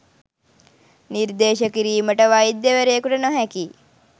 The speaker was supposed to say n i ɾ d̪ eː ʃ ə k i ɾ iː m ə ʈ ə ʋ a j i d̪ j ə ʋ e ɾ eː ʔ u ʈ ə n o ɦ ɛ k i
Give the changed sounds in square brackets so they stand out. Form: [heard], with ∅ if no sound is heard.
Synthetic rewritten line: n i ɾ d̪ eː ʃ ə k i ɾ iː m ə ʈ ə ʋ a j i d̪ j ə ʋ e ɾ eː [k] u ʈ ə n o ɦ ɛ k i